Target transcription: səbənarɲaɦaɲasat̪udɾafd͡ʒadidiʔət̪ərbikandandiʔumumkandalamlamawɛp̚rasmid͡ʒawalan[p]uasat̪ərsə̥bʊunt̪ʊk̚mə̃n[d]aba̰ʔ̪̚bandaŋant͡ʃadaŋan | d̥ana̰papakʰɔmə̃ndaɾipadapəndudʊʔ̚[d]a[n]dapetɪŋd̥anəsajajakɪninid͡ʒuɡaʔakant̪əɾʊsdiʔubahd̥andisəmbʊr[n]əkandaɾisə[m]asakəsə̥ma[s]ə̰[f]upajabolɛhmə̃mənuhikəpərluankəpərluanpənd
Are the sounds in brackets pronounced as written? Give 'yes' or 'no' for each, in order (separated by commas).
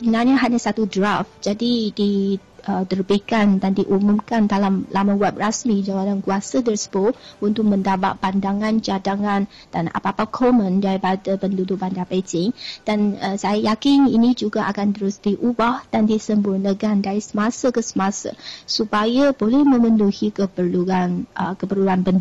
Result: no, yes, no, yes, yes, yes, yes, no